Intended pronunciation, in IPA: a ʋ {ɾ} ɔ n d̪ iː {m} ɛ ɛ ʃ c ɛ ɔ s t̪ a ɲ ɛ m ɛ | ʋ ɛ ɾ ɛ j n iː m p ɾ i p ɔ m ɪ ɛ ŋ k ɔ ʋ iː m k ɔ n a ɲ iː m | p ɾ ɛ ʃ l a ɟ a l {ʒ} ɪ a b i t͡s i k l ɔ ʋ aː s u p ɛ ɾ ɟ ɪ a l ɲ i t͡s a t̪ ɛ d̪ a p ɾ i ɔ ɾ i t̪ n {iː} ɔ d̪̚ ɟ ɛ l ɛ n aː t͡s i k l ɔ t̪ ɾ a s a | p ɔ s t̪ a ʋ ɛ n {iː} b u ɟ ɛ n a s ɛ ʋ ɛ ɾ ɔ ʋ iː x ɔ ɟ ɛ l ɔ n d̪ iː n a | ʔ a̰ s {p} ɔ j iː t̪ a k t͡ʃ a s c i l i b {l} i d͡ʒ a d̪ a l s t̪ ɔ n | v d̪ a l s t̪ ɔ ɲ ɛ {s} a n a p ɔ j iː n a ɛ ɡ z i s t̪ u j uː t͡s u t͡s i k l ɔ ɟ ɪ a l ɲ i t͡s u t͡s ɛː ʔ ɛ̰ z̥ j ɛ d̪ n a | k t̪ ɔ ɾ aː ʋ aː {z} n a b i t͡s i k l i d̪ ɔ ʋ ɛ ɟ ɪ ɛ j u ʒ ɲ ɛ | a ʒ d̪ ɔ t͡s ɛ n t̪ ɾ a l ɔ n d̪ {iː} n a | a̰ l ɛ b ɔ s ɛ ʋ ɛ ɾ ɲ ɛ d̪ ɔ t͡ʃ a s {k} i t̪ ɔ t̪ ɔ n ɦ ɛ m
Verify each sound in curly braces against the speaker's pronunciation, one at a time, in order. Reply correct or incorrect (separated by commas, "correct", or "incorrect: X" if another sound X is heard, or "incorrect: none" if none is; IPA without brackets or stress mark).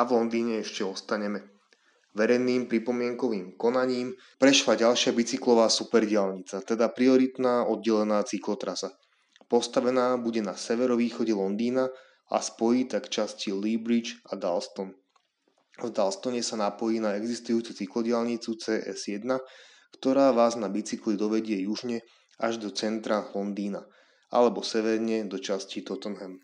incorrect: l, incorrect: ɲ, incorrect: ʃ, incorrect: aː, incorrect: aː, correct, incorrect: ɾ, correct, correct, correct, incorrect: c